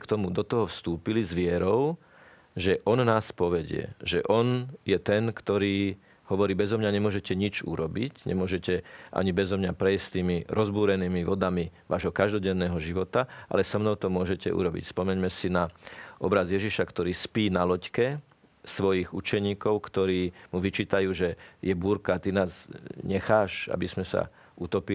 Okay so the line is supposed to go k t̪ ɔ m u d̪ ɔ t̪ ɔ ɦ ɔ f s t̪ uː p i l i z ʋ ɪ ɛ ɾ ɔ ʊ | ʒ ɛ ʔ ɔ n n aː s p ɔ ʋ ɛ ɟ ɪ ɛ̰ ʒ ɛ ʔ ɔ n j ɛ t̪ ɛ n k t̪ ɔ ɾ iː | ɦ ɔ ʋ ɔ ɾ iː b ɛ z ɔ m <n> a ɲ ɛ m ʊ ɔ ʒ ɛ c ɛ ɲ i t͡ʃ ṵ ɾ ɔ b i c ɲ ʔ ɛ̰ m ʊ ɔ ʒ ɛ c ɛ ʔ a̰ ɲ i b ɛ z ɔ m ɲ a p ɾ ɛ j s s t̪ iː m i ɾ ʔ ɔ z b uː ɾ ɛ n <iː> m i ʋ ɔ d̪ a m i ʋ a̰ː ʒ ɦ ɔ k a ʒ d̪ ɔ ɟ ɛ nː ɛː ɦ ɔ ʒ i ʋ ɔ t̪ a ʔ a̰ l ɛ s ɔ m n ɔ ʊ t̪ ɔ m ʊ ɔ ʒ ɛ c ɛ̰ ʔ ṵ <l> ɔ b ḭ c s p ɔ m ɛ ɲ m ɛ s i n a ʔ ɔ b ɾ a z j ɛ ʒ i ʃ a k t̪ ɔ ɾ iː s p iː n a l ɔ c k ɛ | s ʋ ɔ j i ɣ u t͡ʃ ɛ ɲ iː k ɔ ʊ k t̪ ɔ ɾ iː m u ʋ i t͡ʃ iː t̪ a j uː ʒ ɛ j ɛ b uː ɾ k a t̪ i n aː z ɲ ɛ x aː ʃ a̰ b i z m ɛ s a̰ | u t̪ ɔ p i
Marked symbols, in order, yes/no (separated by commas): no, yes, no